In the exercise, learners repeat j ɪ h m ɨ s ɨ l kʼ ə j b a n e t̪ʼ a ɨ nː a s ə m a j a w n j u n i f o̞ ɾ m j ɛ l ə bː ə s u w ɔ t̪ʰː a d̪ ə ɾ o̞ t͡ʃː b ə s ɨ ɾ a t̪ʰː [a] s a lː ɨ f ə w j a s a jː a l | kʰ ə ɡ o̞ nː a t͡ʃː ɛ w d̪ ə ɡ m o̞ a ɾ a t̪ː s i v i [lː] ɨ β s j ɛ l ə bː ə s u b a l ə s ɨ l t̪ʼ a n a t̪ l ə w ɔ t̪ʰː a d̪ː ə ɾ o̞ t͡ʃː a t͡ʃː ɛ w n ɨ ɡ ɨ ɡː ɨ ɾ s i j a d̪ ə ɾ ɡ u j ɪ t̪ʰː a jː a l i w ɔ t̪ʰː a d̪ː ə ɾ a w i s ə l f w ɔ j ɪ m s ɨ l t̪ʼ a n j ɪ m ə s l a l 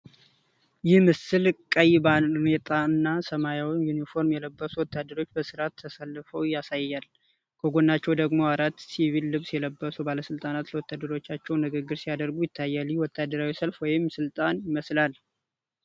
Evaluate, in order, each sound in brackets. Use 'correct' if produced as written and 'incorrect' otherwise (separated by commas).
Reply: incorrect, correct